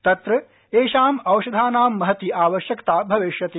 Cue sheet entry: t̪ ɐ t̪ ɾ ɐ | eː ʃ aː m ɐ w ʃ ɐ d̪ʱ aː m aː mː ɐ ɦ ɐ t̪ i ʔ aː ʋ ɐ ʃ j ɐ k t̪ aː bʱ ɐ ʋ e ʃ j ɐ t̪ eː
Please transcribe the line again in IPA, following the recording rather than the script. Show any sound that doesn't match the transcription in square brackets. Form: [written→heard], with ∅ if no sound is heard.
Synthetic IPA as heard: t̪ ɐ t̪ ɾ ɐ | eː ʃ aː m ɐ w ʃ ɐ d̪ʱ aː [m→n] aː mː ɐ ɦ ɐ t̪ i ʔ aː ʋ ɐ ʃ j ɐ k t̪ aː bʱ ɐ ʋ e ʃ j ɐ t̪ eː